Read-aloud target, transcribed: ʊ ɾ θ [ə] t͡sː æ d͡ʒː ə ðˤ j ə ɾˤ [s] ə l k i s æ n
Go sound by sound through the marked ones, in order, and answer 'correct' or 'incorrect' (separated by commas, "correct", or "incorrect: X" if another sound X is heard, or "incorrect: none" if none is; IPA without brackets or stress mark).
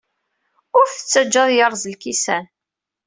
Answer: correct, incorrect: z